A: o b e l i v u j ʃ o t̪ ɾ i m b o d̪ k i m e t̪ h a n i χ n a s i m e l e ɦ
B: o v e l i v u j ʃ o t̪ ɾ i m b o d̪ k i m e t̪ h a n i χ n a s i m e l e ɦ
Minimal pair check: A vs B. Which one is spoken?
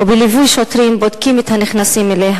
A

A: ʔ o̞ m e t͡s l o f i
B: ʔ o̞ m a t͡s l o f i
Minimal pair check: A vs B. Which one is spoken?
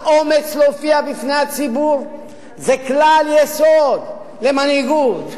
A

